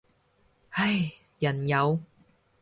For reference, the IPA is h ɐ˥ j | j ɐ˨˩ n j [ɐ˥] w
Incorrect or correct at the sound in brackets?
incorrect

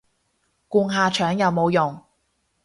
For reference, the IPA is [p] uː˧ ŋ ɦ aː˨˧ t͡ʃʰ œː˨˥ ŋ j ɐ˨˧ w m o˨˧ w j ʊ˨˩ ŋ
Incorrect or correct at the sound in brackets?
incorrect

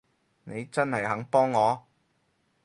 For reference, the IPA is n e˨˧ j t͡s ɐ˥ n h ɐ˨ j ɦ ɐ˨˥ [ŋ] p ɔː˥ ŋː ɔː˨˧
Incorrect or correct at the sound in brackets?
correct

